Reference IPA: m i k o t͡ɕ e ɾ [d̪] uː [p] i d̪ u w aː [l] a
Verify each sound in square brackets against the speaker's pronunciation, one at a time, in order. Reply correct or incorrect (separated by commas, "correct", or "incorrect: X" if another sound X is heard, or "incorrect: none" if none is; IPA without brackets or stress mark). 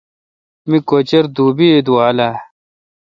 correct, incorrect: b, correct